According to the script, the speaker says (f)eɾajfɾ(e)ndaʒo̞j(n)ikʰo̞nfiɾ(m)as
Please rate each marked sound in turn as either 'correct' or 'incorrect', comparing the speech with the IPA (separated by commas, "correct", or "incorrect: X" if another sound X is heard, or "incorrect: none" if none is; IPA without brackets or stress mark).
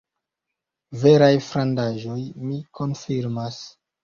incorrect: v, incorrect: a, incorrect: m, correct